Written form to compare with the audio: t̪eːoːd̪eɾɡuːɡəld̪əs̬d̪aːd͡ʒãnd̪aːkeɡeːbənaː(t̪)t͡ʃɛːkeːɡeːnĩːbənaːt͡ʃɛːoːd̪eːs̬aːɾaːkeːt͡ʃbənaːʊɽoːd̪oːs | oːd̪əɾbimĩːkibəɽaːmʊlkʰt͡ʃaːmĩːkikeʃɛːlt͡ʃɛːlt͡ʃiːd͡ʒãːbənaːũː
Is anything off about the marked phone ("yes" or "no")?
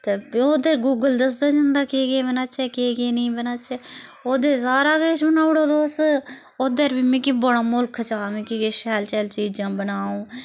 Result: yes